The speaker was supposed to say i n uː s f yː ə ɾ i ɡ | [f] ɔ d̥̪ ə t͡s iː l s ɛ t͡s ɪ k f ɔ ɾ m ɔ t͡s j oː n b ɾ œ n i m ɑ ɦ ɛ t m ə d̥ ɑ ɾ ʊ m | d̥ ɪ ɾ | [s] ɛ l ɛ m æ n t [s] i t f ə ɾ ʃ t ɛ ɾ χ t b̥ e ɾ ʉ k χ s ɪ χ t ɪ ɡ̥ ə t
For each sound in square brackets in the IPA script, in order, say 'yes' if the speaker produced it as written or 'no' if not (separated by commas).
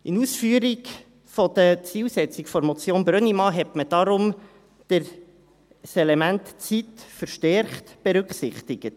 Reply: yes, yes, no